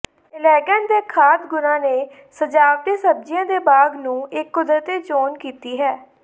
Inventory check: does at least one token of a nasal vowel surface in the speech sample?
yes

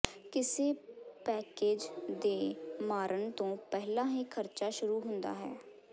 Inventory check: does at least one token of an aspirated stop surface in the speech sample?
yes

